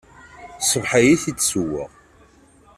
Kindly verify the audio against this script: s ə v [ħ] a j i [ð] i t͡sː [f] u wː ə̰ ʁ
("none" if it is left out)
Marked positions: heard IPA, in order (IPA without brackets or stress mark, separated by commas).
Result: ħ, θ, s